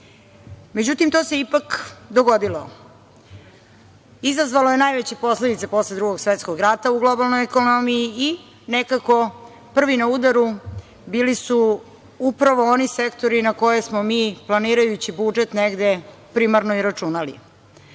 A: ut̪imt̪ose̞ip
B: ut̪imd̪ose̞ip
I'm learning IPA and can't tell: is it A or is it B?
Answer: A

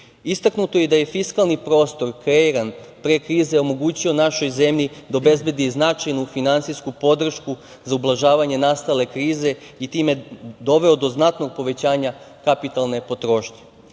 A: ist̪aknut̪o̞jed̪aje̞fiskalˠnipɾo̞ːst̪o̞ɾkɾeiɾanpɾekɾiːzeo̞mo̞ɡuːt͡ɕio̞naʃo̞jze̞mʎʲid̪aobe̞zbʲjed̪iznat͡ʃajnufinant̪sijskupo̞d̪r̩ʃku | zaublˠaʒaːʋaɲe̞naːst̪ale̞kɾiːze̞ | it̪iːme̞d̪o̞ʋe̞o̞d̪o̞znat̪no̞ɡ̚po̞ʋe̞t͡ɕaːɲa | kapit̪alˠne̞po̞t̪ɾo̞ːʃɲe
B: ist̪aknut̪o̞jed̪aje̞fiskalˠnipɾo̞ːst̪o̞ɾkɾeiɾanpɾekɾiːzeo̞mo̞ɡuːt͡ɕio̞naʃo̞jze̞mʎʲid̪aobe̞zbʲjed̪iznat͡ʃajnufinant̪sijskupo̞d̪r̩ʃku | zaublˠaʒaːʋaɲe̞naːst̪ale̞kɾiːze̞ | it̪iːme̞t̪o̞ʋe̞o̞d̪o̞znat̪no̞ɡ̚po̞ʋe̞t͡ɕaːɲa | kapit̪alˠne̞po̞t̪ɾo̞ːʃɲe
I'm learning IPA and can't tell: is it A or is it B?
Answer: A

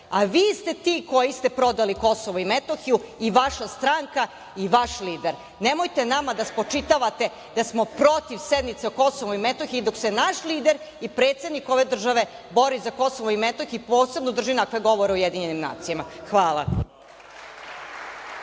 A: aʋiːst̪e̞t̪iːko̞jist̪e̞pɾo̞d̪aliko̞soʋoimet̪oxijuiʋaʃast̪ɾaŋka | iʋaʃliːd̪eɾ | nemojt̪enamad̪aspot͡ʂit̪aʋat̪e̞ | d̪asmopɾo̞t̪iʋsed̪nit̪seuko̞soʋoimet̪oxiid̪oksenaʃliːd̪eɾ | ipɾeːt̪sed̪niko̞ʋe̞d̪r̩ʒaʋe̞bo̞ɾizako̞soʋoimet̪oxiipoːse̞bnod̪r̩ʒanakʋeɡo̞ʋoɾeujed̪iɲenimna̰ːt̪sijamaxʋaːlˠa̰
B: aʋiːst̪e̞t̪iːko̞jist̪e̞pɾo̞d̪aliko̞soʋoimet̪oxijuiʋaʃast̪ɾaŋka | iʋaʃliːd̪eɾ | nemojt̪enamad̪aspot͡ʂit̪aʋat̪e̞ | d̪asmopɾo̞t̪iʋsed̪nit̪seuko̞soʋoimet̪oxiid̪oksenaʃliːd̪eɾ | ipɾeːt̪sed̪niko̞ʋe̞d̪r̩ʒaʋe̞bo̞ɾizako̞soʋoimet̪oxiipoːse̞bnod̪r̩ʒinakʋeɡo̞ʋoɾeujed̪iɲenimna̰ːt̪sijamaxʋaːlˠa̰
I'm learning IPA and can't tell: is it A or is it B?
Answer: B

